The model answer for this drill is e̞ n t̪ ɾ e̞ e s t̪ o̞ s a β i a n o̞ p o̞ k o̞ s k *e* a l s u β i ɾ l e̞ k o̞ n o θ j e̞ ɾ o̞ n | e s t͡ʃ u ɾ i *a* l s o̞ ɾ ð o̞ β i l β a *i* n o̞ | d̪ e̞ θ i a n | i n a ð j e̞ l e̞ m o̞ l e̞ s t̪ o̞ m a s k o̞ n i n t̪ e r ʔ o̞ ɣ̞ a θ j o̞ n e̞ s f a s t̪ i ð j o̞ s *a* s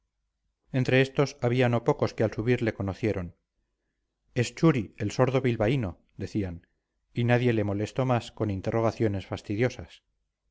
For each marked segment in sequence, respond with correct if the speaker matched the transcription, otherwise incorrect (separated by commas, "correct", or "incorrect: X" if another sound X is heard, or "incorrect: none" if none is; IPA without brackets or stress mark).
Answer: correct, incorrect: e, correct, correct